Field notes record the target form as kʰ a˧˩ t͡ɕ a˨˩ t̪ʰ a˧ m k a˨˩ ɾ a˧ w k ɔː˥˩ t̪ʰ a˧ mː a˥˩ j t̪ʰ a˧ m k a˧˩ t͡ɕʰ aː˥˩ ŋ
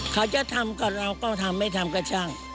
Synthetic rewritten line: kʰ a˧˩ t͡ɕ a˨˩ t̪ʰ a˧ m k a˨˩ ɾ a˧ w k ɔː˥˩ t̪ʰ a˧ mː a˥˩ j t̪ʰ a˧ m k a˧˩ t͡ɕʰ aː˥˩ ŋ

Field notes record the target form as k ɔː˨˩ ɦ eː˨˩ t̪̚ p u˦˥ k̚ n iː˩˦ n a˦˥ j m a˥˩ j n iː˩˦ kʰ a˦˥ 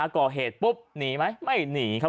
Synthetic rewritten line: k ɔː˨˩ ɦ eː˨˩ t̪̚ p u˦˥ p̚ n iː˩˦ m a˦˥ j m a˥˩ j n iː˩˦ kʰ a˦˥

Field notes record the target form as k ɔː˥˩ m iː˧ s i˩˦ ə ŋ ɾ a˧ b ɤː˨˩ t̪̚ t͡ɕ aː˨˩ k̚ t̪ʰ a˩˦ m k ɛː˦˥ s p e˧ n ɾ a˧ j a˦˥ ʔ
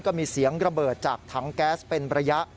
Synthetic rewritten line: k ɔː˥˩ m iː˧ s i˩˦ ə ŋ ɾ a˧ b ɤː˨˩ t̪̚ t͡ɕ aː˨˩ k̚ t̪ʰ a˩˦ ŋ k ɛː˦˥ s p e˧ n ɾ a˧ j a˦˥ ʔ

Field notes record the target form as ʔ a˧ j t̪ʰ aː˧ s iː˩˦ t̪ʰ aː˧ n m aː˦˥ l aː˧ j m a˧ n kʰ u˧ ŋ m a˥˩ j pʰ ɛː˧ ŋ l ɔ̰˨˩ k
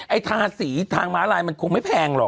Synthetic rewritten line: ʔ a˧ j t̪ʰ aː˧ s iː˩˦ t̪ʰ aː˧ ŋ m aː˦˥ l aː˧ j m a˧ n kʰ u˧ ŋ m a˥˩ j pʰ ɛː˧ ŋ l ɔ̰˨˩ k

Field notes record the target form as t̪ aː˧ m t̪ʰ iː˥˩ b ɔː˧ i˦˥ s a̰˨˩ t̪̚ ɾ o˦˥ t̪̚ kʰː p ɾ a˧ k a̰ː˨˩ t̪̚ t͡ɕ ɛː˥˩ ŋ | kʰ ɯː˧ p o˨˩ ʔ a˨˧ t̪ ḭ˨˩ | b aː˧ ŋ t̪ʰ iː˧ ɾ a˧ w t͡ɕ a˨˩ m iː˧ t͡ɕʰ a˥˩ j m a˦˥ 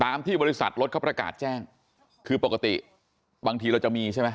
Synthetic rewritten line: t̪ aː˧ m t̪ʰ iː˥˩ b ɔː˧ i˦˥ s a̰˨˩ t̪̚ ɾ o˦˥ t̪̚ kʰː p ɾ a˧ k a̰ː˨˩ t̪̚ t͡ɕ ɛː˥˩ ŋ | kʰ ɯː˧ p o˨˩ k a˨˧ t̪ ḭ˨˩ | b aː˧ ŋ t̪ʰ iː˧ ɾ a˧ w t͡ɕ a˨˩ m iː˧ t͡ɕʰ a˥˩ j m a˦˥

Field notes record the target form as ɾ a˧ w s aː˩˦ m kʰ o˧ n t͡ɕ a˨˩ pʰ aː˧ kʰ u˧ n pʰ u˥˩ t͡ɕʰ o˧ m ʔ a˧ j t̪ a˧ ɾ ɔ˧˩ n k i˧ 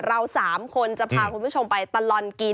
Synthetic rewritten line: ɾ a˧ w s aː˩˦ m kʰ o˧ n t͡ɕ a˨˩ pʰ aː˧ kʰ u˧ n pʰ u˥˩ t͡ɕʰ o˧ m p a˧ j t̪ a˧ l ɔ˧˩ n k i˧

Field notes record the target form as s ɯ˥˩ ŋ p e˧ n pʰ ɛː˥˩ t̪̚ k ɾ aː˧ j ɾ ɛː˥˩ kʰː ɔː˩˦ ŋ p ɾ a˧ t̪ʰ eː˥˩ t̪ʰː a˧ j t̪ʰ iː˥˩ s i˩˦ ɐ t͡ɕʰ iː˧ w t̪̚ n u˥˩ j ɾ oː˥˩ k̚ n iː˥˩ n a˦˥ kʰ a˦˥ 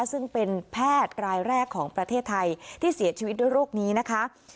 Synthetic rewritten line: s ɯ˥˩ ŋ p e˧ n pʰ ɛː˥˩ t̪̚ k ɾ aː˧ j ɾ ɛː˥˩ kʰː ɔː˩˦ ŋ p ɾ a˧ t̪ʰ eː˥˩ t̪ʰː a˧ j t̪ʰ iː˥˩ s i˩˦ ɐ t͡ɕʰ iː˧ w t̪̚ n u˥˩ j ɾ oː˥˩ k̚ n iː˦˥ n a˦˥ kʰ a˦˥

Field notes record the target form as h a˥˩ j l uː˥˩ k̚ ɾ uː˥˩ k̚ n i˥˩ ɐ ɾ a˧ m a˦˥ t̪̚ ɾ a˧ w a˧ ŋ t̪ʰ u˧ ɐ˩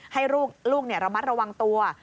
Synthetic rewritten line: h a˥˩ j ɾ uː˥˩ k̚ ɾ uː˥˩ k̚ n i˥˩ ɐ ɾ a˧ m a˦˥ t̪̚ ɾ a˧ w a˧ ŋ t̪ u˧ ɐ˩

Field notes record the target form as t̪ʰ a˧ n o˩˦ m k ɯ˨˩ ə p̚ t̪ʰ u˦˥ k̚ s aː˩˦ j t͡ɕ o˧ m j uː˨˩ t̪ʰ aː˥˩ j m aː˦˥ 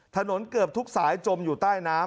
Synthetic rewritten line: t̪ʰ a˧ n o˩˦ n k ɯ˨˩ ə p̚ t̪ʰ u˦˥ k̚ s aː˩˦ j t͡ɕ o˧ m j uː˨˩ t̪ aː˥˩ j n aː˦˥

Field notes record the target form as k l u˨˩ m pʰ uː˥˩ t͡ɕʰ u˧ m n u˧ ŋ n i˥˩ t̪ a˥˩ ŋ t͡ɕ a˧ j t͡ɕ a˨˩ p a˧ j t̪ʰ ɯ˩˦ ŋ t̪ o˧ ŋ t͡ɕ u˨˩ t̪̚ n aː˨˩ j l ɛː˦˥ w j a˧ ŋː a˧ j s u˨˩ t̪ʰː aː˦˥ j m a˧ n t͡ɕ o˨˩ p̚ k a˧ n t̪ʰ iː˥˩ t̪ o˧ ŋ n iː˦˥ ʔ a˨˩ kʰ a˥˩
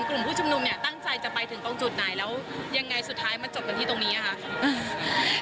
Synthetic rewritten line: k l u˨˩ m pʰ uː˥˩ t͡ɕʰ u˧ m n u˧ m n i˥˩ t̪ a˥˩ ŋ t͡ɕ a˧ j t͡ɕ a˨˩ p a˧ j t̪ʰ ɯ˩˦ ŋ t̪ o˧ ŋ t͡ɕ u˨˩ t̪̚ n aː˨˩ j l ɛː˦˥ w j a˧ ŋː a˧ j s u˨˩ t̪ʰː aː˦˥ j m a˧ n t͡ɕ o˨˩ p̚ k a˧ n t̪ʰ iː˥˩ t̪ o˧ ŋ n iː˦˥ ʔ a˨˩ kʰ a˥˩

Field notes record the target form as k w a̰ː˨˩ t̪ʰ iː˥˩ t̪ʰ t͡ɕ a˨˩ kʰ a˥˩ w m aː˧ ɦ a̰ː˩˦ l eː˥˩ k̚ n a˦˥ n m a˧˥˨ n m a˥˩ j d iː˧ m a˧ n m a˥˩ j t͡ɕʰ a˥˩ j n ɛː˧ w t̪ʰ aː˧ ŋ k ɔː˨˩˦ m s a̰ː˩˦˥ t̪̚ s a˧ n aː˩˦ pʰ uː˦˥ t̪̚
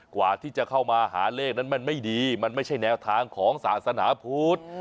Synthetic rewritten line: k w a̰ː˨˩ t̪ʰ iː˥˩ t͡ɕ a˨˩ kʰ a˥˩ w m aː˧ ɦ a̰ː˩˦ l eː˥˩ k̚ n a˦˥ n m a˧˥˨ n m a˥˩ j d iː˧ m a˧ n m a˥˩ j t͡ɕʰ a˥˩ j n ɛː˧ w t̪ʰ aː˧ ŋ kʰ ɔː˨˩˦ ŋ s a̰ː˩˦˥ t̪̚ s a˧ n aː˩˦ pʰ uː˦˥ t̪̚

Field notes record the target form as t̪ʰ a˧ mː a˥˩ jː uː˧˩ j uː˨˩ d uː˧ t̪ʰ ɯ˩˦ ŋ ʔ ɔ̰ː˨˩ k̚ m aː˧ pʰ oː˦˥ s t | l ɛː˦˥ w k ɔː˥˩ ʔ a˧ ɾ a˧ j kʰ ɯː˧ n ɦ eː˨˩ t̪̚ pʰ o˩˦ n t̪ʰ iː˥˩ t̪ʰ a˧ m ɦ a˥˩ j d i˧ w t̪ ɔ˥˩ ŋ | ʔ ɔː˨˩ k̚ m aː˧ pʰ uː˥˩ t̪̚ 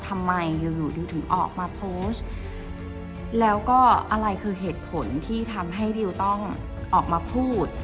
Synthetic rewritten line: t̪ʰ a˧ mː a˧ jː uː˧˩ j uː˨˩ d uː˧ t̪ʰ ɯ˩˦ ŋ ʔ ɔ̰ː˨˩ k̚ m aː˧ pʰ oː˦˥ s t | l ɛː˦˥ w k ɔː˥˩ ʔ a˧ ɾ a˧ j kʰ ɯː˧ ɦ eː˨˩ t̪̚ pʰ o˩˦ n t̪ʰ iː˥˩ t̪ʰ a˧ m ɦ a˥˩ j d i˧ w t̪ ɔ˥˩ ŋ | ʔ ɔː˨˩ k̚ m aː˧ pʰ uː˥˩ t̪̚

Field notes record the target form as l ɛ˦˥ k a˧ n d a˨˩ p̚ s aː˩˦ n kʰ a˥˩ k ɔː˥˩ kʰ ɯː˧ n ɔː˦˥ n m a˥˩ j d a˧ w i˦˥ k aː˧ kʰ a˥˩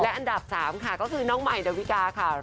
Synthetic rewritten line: l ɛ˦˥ ʔ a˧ n d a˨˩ p̚ s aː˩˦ m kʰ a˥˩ k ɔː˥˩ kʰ ɯː˧ n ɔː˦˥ ŋ m a˨˩ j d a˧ w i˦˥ k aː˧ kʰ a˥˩

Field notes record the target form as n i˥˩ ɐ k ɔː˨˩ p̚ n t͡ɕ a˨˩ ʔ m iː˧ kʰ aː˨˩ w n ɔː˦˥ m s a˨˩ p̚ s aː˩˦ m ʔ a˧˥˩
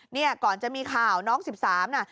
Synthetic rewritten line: n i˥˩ ɐ k ɔː˨˩ n t͡ɕ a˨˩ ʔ m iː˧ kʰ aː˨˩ w n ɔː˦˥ ŋ s i˨˩ p̚ s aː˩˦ m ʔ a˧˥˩

